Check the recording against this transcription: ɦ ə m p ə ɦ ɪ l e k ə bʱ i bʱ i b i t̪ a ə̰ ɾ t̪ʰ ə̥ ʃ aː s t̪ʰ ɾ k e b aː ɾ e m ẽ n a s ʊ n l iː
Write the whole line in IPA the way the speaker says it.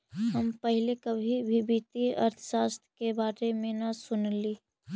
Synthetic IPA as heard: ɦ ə m p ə ɦ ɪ l e k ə bʱ i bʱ i b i t̪ i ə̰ ɾ t̪ʰ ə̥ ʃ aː s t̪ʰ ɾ k e b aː ɾ e m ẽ n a s ʊ n l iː

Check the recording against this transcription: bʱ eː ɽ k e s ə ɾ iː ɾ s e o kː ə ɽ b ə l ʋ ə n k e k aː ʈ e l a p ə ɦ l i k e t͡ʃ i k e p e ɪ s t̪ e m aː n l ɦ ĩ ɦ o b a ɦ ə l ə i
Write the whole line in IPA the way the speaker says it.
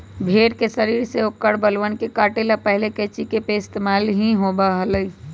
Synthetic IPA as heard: bʱ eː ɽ k e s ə ɾ iː ɾ s e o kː ə ɽ b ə l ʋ ə n k e k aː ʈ e l a p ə ɦ l e k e t͡ʃ i k e p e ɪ s t̪ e m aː l ɦ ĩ ɦ o b a ɦ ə l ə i

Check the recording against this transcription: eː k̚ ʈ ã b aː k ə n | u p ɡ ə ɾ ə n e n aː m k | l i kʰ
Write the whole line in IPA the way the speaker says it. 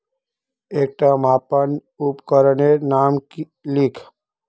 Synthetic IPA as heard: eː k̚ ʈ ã m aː p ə n | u p k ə ɾ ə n e n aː m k | l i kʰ

